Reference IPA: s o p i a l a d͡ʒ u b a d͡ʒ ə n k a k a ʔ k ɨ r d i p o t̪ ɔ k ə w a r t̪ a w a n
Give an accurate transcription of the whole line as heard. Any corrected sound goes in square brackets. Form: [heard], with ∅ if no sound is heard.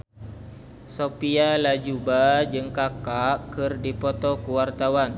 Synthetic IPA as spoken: s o p i a l a d͡ʒ u b a d͡ʒ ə [ŋ] k a k a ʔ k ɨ r d i p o t̪ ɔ k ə w a r t̪ a w a n